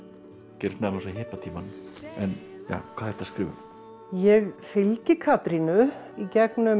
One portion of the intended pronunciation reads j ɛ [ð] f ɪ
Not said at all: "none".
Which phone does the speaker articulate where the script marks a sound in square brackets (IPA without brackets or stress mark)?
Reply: ɣ